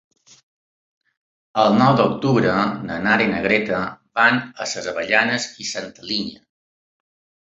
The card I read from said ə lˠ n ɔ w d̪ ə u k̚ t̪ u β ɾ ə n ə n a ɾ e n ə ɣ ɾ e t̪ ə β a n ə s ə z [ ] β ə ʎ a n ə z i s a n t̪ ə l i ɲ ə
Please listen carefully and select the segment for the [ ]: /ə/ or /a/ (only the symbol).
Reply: ə